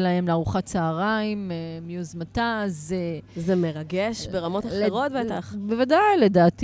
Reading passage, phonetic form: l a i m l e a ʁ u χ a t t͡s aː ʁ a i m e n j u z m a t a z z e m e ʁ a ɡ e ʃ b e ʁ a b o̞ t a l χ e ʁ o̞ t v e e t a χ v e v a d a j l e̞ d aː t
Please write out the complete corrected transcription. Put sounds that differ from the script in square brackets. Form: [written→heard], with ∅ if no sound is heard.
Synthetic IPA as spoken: l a [i→e] m l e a ʁ u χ a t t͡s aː ʁ a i m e [n→m] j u z m a t a z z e m e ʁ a ɡ e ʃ b e ʁ a [b→m] o̞ t a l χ e ʁ o̞ t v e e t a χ [v→b] e v a d a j l e̞ d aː t